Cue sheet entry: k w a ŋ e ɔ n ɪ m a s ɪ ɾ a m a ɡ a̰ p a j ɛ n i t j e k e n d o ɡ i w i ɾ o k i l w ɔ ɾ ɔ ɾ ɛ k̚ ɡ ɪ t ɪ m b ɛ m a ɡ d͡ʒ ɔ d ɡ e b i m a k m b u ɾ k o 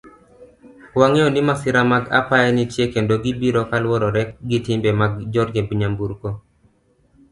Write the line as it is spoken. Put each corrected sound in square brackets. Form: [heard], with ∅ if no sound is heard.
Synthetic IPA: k w a ŋ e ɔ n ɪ m a s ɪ ɾ a m a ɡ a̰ p a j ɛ n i t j e k e n d o ɡ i [b] i ɾ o k [a] l w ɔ ɾ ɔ ɾ ɛ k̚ ɡ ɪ t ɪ m b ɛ m a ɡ d͡ʒ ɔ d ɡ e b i [ɲ] a [∅] m b u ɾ k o